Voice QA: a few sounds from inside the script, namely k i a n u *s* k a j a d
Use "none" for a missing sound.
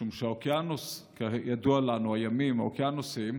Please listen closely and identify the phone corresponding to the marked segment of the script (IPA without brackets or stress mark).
s